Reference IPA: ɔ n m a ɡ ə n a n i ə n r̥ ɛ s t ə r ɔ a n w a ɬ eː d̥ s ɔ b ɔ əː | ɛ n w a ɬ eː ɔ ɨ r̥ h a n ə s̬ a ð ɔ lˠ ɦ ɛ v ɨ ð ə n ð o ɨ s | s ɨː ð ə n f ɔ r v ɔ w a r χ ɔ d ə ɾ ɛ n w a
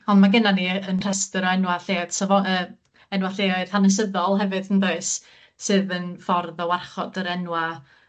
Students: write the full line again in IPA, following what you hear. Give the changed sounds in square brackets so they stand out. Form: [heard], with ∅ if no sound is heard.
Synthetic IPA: ɔ n m a ɡ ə n a n i ə n r̥ ɛ s t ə [ɾ] ɔ [ɛ] n w a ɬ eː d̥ s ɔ [v] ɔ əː | ɛ n w a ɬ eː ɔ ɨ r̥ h a n ə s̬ [ə] ð ɔ lˠ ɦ ɛ v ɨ ð ə n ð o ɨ s | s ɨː ð ə n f ɔ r [ð] ɔ w a r χ ɔ d ə ɾ ɛ n w a

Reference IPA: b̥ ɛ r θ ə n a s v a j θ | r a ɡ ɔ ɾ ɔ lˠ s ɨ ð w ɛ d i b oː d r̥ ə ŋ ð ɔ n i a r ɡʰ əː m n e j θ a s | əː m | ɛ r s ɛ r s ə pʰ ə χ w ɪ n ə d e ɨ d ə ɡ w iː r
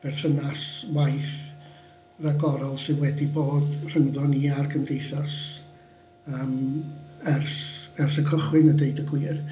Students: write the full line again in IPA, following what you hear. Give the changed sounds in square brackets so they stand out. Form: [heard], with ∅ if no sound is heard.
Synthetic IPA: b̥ ɛ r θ ə n a s [w] a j θ | r a ɡ ɔ ɾ ɔ lˠ s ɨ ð w ɛ d i b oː d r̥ ə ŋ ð ɔ n i a r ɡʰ [ə] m [d] e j θ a s | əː m | ɛ r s ɛ r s ə [kʰ] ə χ w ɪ n ə d e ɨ d ə ɡ w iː r

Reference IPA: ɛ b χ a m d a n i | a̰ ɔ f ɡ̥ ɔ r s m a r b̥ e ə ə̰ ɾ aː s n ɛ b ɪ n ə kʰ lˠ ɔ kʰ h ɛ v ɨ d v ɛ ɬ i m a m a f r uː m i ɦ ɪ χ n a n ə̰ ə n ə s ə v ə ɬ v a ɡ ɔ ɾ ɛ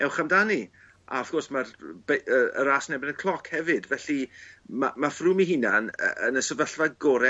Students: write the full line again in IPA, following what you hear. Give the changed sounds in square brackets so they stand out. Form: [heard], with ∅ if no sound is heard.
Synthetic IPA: ɛ [w] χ a m d a n i | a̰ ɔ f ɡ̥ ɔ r s m a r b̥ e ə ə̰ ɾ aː s n ɛ b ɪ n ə kʰ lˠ ɔ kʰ h ɛ v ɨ d v ɛ ɬ i m a m a f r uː m i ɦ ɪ [∅] n a n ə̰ ə n ə s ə v ə ɬ v a ɡ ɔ ɾ ɛ

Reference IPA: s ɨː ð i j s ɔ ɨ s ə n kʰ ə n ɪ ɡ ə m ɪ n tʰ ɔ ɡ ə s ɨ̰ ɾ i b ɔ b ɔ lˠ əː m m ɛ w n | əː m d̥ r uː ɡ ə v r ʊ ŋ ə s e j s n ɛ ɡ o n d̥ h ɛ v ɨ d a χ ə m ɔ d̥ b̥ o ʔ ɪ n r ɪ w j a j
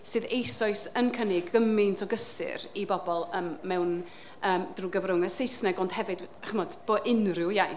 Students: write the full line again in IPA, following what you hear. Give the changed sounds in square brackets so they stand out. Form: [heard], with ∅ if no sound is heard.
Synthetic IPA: s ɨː ð [e] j s ɔ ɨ s ə n kʰ ə n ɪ ɡ ə m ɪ n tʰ ɔ ɡ ə s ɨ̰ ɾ i b ɔ b ɔ lˠ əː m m ɛ w n | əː m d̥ r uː ɡ ə v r ʊ ŋ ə s e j s n ɛ ɡ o n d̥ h ɛ v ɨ d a χ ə m ɔ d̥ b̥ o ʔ ɪ n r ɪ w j a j

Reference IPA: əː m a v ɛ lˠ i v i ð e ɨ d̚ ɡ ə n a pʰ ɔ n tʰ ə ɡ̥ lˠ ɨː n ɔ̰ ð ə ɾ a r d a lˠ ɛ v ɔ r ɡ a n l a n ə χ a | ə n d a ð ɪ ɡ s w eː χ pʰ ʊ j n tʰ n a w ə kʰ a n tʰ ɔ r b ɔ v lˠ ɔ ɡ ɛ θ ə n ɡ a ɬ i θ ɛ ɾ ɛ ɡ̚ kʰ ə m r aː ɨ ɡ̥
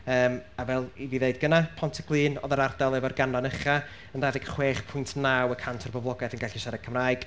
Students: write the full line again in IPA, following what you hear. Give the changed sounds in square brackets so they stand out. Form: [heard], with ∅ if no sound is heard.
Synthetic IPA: əː m a v ɛ lˠ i v i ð e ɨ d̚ ɡ ə n a pʰ ɔ n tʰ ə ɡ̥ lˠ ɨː n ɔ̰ ð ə ɾ a r d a lˠ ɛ v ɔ r ɡ a n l a n ə χ a | ə n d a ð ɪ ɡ [χ] w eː χ pʰ ʊ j n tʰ n a w ə kʰ a n tʰ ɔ r b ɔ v lˠ ɔ ɡ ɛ θ ə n ɡ a ɬ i [ʃ] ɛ ɾ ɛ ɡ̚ kʰ ə m r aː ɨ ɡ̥

